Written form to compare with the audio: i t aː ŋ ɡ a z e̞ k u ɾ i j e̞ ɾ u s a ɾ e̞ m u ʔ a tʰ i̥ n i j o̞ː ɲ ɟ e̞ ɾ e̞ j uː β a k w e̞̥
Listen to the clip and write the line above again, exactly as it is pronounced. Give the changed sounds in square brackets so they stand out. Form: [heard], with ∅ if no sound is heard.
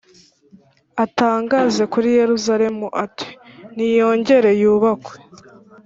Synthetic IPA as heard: [a] t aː ŋ ɡ a z e̞ k u ɾ i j e̞ ɾ u [z] a ɾ e̞ m u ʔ a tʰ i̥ n i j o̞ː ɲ ɟ e̞ ɾ e̞ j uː β a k w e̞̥